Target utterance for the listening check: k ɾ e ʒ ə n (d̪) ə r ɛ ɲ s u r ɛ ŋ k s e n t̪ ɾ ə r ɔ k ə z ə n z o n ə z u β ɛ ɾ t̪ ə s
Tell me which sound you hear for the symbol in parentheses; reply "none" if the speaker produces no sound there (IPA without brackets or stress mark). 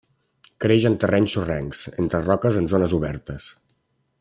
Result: t̪